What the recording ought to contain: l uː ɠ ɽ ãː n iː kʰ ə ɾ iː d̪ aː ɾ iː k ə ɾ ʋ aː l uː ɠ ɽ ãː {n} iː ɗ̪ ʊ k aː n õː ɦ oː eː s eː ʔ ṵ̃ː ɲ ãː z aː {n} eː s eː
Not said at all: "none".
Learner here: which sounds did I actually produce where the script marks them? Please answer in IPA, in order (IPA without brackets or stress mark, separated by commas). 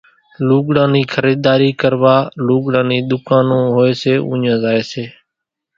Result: n, none